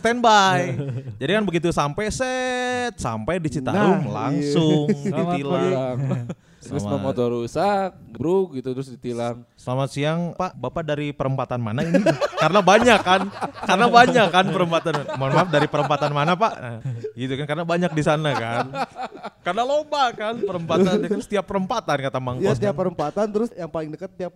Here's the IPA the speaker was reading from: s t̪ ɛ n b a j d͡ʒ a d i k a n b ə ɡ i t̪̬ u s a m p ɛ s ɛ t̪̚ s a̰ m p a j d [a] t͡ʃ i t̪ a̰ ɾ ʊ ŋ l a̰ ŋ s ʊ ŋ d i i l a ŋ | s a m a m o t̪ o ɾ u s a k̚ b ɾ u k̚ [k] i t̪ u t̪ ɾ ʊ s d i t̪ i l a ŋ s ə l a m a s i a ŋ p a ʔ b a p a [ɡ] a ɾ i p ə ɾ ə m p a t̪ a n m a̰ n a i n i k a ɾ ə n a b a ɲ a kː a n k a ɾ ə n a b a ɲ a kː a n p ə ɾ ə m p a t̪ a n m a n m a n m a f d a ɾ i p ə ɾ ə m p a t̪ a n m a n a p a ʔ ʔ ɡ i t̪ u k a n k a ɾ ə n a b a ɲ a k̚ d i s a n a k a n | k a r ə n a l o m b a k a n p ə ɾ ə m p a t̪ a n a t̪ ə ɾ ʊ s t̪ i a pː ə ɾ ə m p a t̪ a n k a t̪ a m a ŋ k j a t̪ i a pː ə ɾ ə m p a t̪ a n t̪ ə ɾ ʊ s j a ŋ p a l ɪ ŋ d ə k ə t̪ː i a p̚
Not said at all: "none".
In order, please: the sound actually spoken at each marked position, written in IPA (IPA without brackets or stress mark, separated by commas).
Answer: i, ɡ, d